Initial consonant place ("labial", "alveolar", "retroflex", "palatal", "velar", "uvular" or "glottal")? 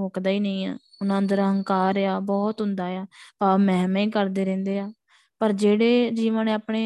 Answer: velar